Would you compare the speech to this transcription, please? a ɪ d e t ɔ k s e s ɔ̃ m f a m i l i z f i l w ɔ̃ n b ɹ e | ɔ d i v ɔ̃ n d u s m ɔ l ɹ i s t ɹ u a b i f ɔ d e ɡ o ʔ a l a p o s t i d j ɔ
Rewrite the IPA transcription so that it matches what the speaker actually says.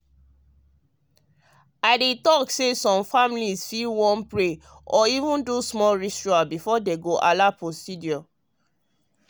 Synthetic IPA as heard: a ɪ d e t ɔ k s e s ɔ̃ m f a m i l i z f i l w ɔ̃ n p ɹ e | ɔ i v ũ n d u s m ɔ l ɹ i s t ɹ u a b i f ɔ d e ɡ o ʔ a l a p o s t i d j ɔ